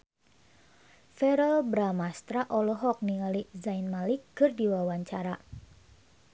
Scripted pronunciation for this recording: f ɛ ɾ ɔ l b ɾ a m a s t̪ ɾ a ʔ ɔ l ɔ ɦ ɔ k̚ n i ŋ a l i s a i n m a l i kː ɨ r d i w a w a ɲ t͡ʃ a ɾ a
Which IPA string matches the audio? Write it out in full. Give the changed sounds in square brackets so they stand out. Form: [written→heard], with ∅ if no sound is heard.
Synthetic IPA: f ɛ ɾ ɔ l b ɾ a m a s t̪ ɾ a ʔ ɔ l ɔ ɦ ɔ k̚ n i ŋ a l i [s→z] a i n m a l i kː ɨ r d i w a w a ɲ t͡ʃ a ɾ a